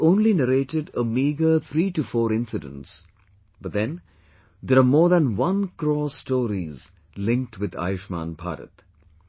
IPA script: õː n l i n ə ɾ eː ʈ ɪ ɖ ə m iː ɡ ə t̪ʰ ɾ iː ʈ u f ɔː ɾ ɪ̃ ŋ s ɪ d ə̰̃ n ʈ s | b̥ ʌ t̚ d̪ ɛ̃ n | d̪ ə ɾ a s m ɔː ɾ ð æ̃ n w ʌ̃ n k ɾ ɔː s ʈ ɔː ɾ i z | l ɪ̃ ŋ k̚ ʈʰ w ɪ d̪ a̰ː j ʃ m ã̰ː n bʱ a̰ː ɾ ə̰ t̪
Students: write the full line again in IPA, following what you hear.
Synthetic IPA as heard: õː n l i n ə ɾ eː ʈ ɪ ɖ ə m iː ɡ ə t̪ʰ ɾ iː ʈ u f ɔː ɾ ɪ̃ n s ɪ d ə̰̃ n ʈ s | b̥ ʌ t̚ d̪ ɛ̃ n | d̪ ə ɾ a m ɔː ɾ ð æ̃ n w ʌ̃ n k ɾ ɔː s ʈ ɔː ɾ i z | l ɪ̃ ŋ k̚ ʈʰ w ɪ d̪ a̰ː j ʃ m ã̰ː n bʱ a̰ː ɾ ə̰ t̪